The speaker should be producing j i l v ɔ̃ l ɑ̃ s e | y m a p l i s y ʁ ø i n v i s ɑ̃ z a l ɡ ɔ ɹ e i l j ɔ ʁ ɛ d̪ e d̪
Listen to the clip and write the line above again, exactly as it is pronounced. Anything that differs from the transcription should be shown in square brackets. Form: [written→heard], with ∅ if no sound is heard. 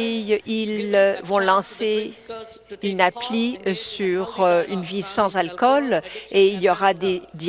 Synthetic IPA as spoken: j i l v ɔ̃ l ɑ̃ s e | y [m→n] a p l i s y ʁ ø [i→y] n v i s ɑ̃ z a l [ɡ→k] ɔ [ɹ→l] e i l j ɔ ʁ [ɛ→a] d̪ e d̪